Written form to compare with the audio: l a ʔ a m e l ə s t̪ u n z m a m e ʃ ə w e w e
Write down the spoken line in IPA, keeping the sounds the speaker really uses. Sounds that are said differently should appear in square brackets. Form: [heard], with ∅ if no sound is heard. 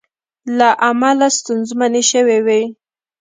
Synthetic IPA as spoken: l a ʔ a m [a] l [a] s t̪ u n z m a [n] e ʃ ə w e w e